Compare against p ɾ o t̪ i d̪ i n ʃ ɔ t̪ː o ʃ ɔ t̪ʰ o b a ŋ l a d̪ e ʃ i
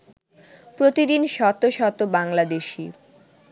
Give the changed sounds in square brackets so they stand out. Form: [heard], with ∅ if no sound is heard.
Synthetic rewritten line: p ɾ o t̪ i d̪ i n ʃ ɔ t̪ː o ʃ ɔ [t̪] o b a ŋ l a d̪ e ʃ i